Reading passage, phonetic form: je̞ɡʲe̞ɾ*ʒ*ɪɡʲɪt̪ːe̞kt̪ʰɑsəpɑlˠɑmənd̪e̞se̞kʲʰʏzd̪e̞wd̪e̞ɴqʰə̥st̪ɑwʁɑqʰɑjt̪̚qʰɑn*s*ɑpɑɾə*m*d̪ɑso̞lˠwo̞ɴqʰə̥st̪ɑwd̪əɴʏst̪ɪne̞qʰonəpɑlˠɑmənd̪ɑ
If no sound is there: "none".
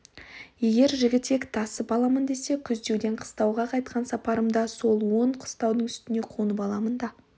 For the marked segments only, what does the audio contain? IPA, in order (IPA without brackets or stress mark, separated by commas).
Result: ʒ, s, m